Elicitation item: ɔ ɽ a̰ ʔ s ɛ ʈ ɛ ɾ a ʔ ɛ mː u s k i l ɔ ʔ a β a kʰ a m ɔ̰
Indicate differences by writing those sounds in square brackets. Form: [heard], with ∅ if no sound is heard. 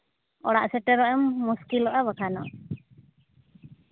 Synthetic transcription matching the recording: ɔ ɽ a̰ ʔ s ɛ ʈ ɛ ɾ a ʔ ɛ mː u s k i l ɔ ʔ a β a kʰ a [n] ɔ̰